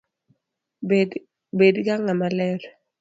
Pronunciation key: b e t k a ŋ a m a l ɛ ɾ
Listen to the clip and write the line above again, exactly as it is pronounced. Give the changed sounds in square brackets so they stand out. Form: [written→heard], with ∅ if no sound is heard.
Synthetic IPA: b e [t→d] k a ŋ a m a l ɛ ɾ